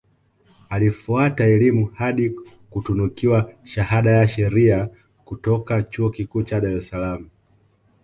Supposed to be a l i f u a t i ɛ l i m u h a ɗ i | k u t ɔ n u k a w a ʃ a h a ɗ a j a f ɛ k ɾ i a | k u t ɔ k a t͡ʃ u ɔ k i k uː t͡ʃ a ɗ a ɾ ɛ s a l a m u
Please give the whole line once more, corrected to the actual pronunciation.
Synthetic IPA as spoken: a l i f u a t a ɛ l i m u h a ɗ i | k u t u n u k i w a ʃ a h a ɗ a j a ʃ ɛ ɾ i a | k u t ɔ k a t͡ʃ u ɔ k i k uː t͡ʃ a ɗ a ɾ ɛ s a l a m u